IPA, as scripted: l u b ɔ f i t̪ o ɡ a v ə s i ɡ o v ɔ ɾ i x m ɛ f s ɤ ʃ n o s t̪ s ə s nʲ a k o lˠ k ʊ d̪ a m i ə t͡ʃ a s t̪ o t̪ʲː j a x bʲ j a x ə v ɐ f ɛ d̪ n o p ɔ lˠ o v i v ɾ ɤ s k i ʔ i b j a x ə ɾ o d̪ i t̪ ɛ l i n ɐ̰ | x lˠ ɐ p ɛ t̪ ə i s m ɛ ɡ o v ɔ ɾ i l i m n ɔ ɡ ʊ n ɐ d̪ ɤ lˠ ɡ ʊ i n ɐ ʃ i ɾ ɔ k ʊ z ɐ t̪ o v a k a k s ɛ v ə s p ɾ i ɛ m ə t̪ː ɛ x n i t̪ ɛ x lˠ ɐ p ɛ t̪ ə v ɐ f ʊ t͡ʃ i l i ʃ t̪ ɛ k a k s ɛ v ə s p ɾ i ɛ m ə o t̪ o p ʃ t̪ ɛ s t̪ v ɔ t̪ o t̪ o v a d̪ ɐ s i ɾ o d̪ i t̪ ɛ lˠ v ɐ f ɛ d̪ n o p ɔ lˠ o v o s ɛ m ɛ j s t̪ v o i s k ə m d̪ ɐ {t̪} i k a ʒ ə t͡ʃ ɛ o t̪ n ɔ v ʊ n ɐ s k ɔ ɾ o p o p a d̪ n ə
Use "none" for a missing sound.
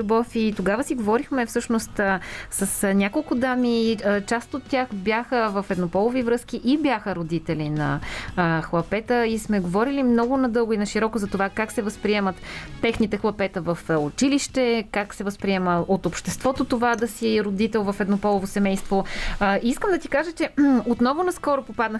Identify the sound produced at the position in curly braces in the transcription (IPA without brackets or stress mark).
t̪